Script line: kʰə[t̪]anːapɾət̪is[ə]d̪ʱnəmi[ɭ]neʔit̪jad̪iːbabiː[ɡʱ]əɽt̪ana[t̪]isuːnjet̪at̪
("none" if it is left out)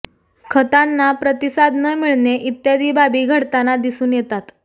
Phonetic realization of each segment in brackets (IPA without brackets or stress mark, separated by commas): t̪, a, ɭ, ɡʱ, d̪